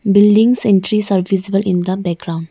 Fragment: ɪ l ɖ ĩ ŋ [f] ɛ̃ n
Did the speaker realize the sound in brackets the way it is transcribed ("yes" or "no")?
no